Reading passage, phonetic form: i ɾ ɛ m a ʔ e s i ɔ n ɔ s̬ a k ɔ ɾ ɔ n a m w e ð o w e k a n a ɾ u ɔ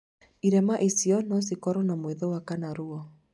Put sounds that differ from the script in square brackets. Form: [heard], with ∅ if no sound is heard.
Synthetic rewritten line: i ɾ ɛ m a ʔ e s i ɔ n ɔ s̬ [i] k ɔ ɾ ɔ n a m w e ð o w [a] k a n a ɾ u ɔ

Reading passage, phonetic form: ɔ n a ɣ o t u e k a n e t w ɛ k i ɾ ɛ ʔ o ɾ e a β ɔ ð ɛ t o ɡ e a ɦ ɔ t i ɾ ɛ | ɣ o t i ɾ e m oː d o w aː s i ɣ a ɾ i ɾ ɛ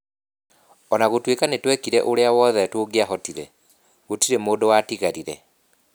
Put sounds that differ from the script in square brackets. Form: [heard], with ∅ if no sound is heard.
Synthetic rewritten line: ɔ n a ɣ o t [w] e k a n e t w ɛ k i ɾ ɛ ʔ o ɾ e a [w] ɔ ð ɛ t o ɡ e a ɦ ɔ t i ɾ ɛ | ɣ o t i ɾ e m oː d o w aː [t] i ɣ a ɾ i ɾ ɛ

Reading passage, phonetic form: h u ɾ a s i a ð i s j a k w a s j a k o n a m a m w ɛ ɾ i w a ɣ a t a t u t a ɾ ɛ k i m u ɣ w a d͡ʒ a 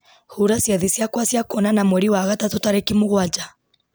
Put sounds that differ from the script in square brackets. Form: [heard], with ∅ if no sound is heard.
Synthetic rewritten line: h u ɾ a s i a ð i s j a k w a s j a k [ɔ] n a [n] a m w ɛ ɾ i w a ɣ a t a t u t a ɾ ɛ k i m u ɣ w a d͡ʒ a

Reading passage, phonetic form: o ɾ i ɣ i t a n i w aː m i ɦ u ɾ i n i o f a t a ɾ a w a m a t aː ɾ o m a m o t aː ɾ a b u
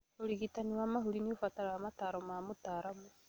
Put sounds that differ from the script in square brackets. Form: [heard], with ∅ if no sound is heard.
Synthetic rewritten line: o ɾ i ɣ i t a n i w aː m [a] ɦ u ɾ i n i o f a t a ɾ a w a m a t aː ɾ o m a m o t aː ɾ a [m] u

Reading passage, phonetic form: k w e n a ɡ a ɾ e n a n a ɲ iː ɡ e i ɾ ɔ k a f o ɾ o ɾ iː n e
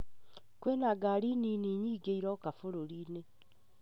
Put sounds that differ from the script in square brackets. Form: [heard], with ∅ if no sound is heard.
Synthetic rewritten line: k w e n a ɡ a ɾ [i] n [i] n [i] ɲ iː ɡ e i ɾ ɔ k a f o ɾ o ɾ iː n e

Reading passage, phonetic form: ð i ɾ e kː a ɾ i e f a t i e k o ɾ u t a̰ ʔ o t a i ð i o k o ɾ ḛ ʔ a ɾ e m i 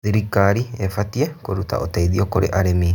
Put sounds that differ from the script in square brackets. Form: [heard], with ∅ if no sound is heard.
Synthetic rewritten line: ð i ɾ [i] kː a ɾ i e f a t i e k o ɾ u t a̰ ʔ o t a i ð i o k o ɾ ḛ ʔ a ɾ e m i

